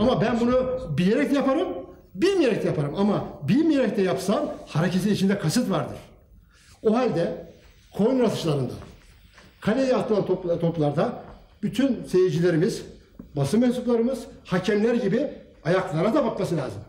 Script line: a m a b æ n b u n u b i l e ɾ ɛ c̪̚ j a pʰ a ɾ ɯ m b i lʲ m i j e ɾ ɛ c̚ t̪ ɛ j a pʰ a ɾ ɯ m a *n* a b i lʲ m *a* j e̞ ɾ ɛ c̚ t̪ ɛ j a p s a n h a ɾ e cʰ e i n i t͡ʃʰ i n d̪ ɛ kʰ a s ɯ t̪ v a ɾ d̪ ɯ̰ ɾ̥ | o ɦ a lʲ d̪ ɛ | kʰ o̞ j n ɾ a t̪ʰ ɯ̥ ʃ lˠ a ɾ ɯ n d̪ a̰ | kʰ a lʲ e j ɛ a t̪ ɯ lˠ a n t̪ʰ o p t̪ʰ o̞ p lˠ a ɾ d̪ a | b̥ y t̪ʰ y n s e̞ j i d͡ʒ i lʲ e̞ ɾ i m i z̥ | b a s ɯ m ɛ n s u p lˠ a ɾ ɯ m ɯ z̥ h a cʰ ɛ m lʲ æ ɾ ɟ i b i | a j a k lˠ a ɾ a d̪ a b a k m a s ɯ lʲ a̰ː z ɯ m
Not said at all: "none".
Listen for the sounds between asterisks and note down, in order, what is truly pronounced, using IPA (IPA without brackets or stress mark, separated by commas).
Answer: m, i